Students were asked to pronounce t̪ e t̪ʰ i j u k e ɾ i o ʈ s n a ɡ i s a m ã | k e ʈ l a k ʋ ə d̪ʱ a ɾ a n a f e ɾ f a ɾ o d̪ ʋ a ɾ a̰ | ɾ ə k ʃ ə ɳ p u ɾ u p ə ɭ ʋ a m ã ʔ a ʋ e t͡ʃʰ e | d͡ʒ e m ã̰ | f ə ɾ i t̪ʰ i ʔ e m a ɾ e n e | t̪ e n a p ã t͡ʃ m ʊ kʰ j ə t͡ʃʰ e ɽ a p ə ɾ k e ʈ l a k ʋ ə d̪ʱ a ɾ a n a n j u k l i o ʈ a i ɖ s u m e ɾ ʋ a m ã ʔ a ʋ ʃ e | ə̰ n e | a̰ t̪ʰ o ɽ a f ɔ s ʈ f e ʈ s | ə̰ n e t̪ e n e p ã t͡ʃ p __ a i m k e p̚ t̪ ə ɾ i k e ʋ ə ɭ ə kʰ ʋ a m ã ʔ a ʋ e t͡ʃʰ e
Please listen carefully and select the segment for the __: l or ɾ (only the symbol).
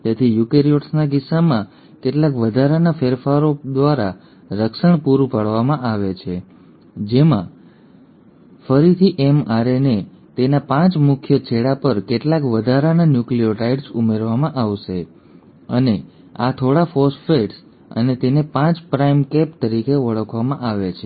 ɾ